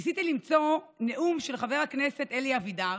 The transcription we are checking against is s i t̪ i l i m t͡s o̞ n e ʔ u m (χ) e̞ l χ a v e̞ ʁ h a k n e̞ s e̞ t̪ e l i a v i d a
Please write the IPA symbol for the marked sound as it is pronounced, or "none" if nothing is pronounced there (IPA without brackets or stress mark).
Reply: ʃ